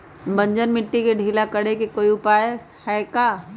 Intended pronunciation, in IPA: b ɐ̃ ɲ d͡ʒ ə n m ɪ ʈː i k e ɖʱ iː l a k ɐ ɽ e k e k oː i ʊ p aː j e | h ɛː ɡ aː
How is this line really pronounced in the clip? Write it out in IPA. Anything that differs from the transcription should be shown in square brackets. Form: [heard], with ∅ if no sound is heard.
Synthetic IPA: b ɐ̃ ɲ d͡ʒ ə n m ɪ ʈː i k e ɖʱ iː l a k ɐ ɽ e k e k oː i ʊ p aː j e | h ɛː [k] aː